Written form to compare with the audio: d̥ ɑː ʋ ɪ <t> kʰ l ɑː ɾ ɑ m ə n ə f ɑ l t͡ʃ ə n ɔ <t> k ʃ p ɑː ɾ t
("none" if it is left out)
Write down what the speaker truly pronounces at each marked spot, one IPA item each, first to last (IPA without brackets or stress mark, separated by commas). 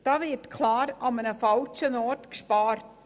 t, t